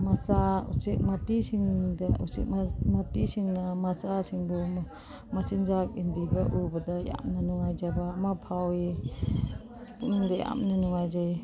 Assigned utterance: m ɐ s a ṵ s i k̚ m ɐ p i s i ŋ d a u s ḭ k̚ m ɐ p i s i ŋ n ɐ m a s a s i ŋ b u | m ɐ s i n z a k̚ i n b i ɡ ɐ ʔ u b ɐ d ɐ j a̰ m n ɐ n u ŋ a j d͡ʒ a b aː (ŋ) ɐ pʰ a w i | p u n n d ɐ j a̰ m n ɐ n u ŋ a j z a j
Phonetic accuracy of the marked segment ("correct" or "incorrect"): incorrect